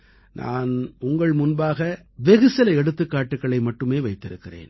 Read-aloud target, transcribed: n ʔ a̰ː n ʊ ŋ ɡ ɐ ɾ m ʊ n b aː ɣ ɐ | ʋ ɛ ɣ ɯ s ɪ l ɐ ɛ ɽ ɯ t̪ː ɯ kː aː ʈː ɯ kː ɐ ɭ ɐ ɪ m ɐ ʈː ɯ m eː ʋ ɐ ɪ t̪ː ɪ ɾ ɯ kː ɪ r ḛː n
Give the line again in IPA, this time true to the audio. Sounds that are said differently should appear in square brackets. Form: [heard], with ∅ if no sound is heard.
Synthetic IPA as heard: n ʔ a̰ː n ʊ ŋ ɡ ɐ [ɭ] m ʊ n b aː ɣ ɐ | ʋ ɛ ɣ ɯ s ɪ l ɐ ɛ ɽ ɯ t̪ː ɯ kː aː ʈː ɯ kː ɐ ɭ ɐ ɪ m ɐ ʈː ɯ m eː ʋ ɐ ɪ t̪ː ɪ ɾ ɯ kː ɪ r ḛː n

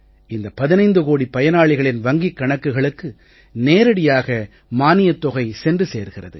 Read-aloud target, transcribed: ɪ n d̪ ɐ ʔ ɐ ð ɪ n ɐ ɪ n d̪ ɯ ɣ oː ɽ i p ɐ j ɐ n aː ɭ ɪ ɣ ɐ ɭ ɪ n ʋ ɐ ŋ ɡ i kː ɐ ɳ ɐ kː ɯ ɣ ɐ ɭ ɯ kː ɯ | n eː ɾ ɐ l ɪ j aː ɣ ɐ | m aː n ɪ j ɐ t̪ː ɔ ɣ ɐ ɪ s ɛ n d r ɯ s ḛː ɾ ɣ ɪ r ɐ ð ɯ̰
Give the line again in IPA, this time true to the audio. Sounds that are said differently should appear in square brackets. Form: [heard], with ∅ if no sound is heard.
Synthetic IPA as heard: ɪ n d̪ ɐ [p] ɐ ð ɪ n ɐ ɪ n d̪ ɯ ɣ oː ɽ i p ɐ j ɐ n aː ɭ ɪ ɣ ɐ ɭ ɪ n ʋ ɐ ŋ ɡ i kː ɐ ɳ ɐ kː ɯ ɣ ɐ ɭ ɯ kː ɯ | n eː ɾ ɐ [ɽ] ɪ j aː ɣ ɐ | m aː n ɪ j ɐ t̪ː ɔ ɣ ɐ ɪ s ɛ n d r ɯ s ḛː ɾ ɣ ɪ r ɐ ð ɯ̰

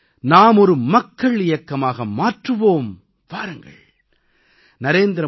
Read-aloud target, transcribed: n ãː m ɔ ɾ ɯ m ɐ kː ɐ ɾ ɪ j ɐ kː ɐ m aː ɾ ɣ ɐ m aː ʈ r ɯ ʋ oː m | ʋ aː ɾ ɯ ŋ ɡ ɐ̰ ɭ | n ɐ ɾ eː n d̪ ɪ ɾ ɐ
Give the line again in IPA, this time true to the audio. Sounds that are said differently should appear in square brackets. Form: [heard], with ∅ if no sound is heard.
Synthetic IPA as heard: n [aː] m ɔ ɾ ɯ m ɐ kː ɐ [ɭ] ɪ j ɐ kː ɐ m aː [∅] ɣ ɐ m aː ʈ r ɯ ʋ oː m | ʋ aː ɾ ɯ ŋ ɡ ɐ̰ ɭ | n ɐ ɾ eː n d̪ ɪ ɾ ɐ

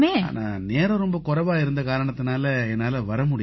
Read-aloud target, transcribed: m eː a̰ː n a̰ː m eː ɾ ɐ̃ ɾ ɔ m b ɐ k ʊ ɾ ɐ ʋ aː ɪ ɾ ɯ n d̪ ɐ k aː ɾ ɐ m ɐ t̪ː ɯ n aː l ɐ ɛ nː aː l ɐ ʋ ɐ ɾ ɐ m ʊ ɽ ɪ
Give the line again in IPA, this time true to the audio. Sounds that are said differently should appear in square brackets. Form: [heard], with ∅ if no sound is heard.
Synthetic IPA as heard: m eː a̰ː n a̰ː [n] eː ɾ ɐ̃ ɾ ɔ m b ɐ k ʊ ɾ ɐ ʋ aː ɪ ɾ ɯ n d̪ ɐ k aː ɾ ɐ [ɳ] ɐ t̪ː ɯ n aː l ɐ ɛ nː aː l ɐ ʋ ɐ ɾ ɐ m ʊ ɽ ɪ

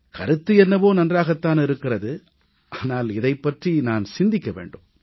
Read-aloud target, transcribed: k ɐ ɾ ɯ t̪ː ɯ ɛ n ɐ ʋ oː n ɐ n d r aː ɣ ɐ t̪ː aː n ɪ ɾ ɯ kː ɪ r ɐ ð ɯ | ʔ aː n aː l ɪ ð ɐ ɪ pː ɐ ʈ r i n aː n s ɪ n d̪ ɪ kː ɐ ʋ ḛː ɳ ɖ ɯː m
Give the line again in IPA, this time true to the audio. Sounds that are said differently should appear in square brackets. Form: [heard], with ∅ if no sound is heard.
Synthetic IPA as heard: k ɐ ɾ ɯ t̪ː ɯ ɛ [nː] ɐ ʋ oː n ɐ n d r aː ɣ ɐ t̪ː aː n ɪ ɾ ɯ kː ɪ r ɐ ð ɯ | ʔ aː n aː l ɪ ð ɐ ɪ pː ɐ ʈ r i n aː n s ɪ n d̪ ɪ kː ɐ ʋ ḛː ɳ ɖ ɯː m

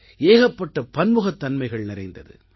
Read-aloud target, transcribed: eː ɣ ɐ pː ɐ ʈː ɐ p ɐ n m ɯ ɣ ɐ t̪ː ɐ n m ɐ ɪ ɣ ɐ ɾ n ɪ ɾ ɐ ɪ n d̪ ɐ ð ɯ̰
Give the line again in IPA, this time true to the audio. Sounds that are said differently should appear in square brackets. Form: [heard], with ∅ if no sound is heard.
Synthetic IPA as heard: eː ɣ ɐ pː ɐ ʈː ɐ p ɐ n m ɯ ɣ ɐ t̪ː ɐ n m ɐ ɪ ɣ ɐ [ɭ] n ɪ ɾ ɐ ɪ n d̪ ɐ ð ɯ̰

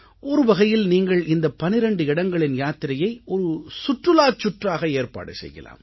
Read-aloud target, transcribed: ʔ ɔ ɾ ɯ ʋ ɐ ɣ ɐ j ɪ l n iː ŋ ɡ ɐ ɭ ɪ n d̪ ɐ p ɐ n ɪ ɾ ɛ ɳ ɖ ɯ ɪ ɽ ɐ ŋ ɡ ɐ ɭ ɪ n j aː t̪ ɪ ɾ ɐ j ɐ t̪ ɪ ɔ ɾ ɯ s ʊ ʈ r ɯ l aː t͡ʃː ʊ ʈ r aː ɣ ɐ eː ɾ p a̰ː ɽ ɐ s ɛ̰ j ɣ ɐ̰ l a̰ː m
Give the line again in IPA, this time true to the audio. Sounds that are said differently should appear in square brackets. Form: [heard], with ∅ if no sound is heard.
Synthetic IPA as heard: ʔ ɔ ɾ ɯ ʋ ɐ ɣ ɐ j ɪ l n iː ŋ ɡ ɐ ɭ ɪ n d̪ ɐ p ɐ n ɪ ɾ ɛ ɳ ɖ ɯ ɪ ɽ ɐ ŋ ɡ ɐ ɭ ɪ n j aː t̪ ɪ ɾ ɐ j ɐ [∅] ɪ ɔ ɾ ɯ s ʊ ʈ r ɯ l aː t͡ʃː ʊ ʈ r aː ɣ ɐ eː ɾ p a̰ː ɽ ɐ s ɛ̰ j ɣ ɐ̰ l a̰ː m

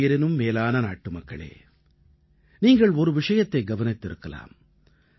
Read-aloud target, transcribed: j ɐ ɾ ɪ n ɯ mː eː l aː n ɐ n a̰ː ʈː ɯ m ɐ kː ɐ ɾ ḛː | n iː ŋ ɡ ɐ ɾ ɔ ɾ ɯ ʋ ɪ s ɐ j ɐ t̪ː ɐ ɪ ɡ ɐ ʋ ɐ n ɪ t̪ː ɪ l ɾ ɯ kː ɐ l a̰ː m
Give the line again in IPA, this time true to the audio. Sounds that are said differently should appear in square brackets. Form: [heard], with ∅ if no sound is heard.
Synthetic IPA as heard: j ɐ ɾ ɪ n ɯ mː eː l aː n ɐ n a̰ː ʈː ɯ m ɐ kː ɐ [ɭ] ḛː | n iː ŋ ɡ ɐ [ɭ] ɔ ɾ ɯ ʋ ɪ [ʂ] ɐ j ɐ t̪ː ɐ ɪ ɡ ɐ ʋ ɐ n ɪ t̪ː ɪ [∅] ɾ ɯ kː ɐ l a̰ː m

